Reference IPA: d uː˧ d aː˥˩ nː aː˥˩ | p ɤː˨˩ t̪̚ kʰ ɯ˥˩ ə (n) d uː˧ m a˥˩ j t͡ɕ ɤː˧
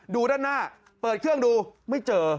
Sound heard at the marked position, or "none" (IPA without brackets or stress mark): ŋ